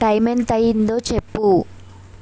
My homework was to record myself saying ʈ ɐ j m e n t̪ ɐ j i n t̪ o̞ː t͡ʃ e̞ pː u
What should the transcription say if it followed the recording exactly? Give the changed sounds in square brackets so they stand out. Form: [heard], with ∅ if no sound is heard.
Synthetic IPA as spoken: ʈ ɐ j m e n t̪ ɐ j i n [d̪] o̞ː t͡ʃ e̞ pː u